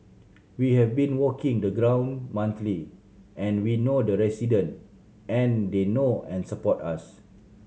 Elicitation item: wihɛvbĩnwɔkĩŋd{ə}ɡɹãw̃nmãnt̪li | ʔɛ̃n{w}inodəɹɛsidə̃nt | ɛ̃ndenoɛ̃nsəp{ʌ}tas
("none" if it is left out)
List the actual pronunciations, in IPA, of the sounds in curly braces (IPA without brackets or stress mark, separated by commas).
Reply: ə, w, ɔ